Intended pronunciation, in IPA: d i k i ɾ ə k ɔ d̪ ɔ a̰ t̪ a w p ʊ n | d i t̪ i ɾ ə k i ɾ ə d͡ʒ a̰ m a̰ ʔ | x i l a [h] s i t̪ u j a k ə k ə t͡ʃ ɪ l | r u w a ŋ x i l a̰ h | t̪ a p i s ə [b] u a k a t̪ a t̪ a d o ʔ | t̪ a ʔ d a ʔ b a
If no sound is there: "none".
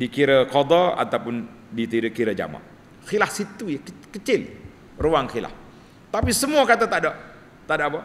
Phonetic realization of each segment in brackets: h, m

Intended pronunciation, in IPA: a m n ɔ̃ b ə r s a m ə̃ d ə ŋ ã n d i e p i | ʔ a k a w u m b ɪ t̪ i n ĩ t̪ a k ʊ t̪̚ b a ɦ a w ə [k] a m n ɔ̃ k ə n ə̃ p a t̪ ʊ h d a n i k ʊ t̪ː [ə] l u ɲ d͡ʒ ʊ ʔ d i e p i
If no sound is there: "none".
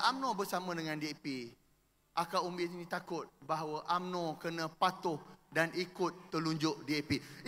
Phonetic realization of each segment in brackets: ʔ, ə

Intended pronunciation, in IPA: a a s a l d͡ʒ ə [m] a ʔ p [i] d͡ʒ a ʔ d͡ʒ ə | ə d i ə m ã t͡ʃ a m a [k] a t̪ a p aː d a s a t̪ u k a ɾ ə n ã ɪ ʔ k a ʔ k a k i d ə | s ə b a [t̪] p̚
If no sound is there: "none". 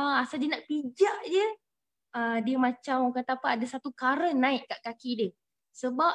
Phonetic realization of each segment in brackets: n, i, k, none

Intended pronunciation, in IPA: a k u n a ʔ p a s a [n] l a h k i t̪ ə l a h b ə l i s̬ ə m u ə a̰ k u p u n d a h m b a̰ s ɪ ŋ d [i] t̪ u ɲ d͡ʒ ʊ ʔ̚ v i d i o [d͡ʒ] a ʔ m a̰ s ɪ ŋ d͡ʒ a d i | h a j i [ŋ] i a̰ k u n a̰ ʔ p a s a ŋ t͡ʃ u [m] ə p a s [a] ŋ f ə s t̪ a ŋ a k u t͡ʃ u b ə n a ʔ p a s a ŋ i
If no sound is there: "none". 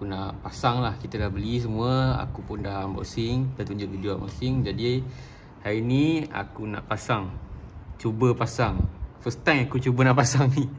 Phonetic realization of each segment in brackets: ŋ, a, none, n, b, a

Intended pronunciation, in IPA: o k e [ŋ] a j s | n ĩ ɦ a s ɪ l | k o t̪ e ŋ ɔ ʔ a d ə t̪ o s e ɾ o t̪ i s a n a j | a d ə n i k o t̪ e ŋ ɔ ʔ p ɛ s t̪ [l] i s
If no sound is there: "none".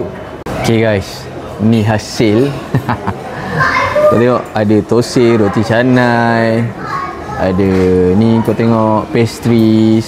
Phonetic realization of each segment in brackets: ɡ, ɾ

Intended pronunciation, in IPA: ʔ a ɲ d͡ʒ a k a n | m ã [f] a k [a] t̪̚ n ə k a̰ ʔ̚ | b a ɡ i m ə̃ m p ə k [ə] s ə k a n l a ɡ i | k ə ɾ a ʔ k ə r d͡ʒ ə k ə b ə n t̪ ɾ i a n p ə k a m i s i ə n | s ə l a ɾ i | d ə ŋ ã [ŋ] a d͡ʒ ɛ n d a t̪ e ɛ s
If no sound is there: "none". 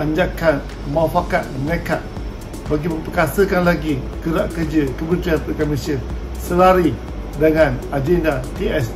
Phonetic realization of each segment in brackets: f, a, a, n

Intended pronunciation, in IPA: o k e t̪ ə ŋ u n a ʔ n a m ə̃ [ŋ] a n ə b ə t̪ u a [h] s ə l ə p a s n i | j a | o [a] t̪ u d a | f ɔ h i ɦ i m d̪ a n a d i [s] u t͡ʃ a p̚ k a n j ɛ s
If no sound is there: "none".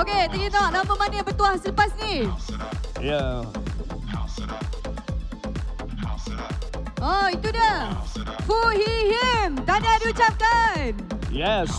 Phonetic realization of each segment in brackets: m, h, i, none

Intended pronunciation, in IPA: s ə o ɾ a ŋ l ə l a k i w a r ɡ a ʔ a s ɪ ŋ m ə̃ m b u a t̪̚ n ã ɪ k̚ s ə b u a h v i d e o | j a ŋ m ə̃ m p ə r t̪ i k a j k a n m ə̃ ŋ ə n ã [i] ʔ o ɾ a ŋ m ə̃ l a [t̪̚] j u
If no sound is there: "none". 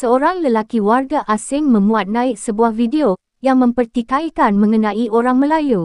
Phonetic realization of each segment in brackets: i, none

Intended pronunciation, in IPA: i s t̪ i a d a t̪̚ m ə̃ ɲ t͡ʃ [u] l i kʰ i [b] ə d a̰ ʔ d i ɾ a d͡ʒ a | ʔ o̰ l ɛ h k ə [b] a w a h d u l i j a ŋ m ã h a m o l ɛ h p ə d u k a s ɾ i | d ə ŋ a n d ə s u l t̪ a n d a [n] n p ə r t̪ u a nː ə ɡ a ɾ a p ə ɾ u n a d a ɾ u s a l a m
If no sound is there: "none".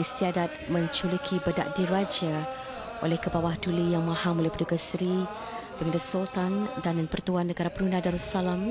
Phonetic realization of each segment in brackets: u, b, b, n

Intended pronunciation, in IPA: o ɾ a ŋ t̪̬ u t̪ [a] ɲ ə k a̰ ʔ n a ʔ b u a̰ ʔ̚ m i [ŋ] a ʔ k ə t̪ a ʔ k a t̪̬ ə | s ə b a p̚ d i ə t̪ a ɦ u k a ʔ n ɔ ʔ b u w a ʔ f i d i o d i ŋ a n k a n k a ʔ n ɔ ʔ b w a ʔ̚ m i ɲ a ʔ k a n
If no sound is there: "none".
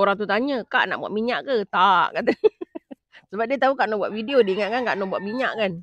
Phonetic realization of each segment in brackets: a, ɲ

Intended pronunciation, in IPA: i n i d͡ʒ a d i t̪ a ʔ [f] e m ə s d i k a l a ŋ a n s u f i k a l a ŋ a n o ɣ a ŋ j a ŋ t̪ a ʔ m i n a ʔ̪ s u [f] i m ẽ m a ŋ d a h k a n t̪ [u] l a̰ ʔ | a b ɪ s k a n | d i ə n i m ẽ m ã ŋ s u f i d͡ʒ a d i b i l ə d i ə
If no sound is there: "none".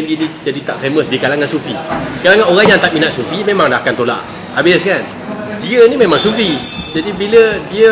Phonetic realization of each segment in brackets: f, f, o

